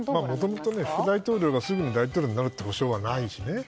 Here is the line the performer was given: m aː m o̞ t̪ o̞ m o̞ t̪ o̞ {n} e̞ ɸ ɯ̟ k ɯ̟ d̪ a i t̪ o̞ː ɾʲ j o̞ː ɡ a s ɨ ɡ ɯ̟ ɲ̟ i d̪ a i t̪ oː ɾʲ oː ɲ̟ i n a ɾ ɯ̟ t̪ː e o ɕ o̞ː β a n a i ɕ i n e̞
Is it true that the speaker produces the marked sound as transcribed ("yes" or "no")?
yes